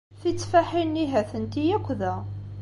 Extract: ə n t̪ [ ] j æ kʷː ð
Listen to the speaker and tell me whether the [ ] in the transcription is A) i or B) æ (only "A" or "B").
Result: A